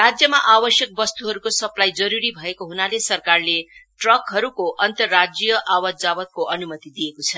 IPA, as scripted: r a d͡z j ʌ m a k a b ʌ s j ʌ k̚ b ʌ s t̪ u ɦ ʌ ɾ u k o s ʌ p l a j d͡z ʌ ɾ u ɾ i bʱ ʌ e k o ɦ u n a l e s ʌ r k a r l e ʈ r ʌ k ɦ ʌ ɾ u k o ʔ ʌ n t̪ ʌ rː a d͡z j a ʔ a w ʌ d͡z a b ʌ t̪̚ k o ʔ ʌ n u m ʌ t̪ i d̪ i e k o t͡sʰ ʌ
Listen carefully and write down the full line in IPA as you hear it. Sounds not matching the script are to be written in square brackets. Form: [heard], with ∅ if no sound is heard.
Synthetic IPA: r a d͡z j ʌ m a [ʔ] a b ʌ s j ʌ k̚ b ʌ s t̪ u ɦ ʌ ɾ u k o s ʌ p l a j d͡z ʌ ɾ u ɾ i bʱ ʌ e k o ɦ u n a l e s ʌ r k a r l e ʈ r ʌ k ɦ ʌ ɾ u k o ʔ ʌ n t̪ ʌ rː a d͡z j [ʌ] ʔ a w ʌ d͡z a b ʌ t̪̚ k o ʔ ʌ n u m ʌ t̪ i d̪ i e k o t͡sʰ ʌ